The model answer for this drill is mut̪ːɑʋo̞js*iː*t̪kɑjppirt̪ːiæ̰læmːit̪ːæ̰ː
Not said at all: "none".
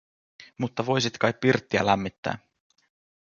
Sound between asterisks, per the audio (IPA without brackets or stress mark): i